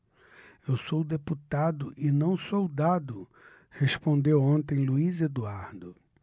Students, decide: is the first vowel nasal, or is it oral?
oral